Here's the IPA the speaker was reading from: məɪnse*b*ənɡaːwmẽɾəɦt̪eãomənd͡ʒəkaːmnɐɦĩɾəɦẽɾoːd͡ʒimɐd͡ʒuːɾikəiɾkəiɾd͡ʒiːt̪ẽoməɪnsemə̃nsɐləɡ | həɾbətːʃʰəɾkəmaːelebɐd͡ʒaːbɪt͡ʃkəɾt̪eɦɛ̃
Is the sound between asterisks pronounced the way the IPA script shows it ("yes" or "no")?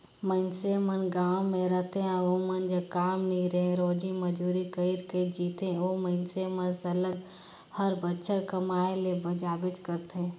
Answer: no